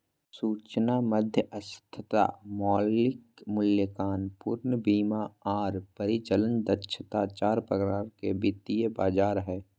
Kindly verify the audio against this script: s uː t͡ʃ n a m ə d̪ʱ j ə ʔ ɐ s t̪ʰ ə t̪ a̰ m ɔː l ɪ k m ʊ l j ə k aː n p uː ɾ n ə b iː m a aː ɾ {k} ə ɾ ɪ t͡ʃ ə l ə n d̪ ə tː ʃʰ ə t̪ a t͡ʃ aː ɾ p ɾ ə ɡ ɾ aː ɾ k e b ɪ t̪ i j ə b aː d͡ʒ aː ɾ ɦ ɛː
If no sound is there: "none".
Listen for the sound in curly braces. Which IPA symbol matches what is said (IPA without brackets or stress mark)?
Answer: p